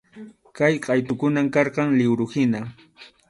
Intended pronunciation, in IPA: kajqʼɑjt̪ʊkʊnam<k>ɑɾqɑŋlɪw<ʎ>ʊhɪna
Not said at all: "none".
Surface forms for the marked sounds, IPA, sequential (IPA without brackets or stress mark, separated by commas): k, ɾ